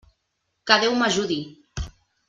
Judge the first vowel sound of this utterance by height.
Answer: low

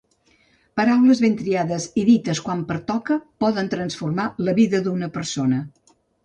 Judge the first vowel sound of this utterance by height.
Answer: mid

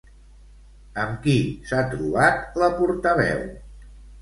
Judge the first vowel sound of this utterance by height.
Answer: mid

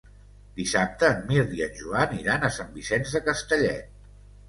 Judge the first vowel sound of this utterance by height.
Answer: high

